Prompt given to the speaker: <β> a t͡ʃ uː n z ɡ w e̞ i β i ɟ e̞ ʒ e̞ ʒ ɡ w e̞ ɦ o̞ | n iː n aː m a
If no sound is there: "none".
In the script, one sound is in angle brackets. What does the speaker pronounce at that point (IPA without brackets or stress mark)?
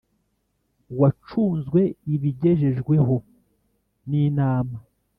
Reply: w